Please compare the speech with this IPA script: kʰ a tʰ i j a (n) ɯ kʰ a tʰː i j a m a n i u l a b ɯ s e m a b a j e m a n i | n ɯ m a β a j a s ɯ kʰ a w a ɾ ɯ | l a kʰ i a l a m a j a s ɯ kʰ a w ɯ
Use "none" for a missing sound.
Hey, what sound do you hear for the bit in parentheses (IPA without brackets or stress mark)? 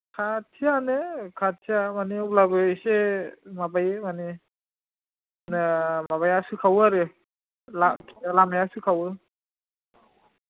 n